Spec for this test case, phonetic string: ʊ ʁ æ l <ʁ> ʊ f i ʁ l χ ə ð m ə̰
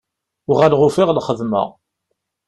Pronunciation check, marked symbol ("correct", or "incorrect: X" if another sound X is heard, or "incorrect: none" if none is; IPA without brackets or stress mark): correct